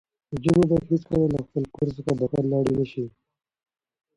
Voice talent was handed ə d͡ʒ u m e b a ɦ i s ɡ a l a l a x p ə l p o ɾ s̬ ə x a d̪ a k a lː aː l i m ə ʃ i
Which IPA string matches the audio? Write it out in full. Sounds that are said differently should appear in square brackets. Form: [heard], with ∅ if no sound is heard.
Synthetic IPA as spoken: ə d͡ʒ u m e b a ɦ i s [k] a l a l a x p ə l [k] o ɾ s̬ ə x a d̪ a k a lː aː [ɽ] i [n] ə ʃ i